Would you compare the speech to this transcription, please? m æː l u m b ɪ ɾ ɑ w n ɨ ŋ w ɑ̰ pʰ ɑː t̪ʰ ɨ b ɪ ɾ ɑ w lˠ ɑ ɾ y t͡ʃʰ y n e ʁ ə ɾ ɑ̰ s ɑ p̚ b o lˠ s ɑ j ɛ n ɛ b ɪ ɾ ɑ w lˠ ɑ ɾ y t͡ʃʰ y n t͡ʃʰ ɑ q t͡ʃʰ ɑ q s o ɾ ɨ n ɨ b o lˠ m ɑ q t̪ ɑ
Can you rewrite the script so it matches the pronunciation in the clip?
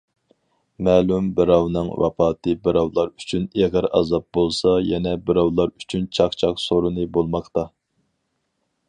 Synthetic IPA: m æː l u m b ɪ ɾ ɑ w n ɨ ŋ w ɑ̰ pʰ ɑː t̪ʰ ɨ b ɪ ɾ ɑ w lˠ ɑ ɾ y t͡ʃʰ y n e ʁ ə ɾ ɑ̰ z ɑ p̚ b o lˠ s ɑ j ɛ n ɛ b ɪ ɾ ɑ w lˠ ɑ ɾ y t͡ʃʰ y n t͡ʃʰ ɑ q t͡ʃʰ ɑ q s o ɾ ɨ n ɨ b o lˠ m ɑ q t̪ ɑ